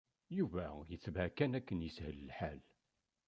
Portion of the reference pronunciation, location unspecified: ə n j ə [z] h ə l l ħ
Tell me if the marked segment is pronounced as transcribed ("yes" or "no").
no